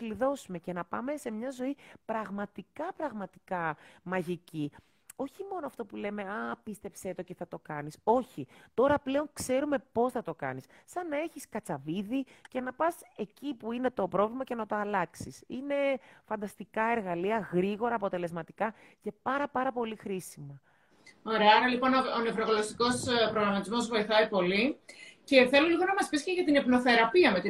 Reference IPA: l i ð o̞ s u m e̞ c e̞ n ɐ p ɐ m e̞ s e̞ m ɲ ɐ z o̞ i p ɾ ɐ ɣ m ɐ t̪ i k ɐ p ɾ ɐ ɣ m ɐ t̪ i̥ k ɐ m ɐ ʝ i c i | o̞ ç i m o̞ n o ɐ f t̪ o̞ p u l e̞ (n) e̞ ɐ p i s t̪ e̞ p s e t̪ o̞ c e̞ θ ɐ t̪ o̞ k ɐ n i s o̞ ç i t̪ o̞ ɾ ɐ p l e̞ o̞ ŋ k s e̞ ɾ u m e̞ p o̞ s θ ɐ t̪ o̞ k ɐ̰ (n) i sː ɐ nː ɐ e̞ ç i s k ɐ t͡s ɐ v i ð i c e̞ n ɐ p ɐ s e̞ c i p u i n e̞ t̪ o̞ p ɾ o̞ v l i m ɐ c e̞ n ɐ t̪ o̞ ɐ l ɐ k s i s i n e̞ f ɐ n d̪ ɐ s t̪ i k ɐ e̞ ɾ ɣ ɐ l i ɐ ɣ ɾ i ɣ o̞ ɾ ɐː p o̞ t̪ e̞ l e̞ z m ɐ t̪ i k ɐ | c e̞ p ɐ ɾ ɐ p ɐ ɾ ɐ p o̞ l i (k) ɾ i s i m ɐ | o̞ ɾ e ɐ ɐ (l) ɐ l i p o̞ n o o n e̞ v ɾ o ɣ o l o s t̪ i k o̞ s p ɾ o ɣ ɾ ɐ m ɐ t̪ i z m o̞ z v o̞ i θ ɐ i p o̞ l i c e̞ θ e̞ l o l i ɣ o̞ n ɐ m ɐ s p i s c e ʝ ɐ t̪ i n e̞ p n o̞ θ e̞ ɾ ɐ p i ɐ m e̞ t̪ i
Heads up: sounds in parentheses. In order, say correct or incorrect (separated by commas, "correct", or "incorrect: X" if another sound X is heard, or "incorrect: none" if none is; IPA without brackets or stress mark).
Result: incorrect: m, correct, incorrect: x, incorrect: ɾ